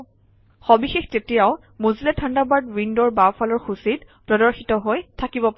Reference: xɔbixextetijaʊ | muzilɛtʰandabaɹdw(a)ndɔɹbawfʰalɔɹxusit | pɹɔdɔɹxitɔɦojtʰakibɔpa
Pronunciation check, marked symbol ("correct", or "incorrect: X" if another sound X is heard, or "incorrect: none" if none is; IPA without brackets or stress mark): incorrect: i